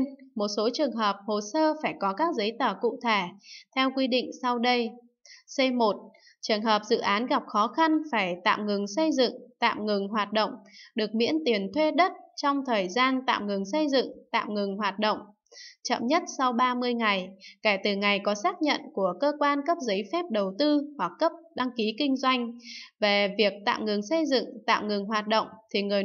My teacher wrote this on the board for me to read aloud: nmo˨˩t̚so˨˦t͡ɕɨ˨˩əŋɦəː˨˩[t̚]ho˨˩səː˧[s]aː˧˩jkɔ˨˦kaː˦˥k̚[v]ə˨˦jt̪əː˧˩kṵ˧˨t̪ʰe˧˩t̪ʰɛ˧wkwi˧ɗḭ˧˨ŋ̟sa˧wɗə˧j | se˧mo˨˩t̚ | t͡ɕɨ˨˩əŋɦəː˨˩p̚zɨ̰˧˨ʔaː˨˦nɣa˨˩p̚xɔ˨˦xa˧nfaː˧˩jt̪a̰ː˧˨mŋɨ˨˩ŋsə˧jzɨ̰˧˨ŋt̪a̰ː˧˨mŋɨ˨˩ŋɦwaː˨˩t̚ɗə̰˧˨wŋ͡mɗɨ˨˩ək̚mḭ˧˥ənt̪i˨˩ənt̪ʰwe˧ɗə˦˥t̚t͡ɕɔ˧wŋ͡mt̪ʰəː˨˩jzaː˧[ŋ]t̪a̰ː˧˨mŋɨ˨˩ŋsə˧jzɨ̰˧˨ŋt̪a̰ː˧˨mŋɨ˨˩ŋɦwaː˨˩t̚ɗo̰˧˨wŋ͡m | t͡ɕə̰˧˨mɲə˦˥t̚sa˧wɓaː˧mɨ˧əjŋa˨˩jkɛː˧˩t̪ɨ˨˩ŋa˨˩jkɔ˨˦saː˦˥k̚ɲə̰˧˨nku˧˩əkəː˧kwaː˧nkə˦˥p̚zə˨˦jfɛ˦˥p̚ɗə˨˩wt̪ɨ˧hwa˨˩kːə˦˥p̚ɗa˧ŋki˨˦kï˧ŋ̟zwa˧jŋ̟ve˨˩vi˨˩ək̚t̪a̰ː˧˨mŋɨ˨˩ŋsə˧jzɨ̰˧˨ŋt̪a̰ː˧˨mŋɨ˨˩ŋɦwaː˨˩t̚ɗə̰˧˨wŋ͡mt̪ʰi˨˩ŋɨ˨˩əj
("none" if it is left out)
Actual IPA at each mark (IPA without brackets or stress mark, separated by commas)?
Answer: p̚, f, z, n